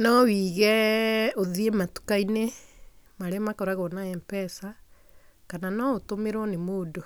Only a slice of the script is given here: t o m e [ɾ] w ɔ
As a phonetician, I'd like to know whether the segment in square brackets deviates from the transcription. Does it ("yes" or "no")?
no